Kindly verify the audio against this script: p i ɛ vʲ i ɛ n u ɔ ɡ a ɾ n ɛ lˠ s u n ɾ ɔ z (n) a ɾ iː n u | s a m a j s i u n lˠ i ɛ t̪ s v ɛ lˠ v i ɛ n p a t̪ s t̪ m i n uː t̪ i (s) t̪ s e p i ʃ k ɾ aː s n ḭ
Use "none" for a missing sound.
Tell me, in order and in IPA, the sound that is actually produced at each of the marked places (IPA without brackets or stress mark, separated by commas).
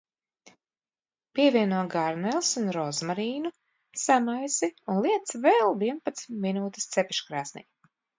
m, s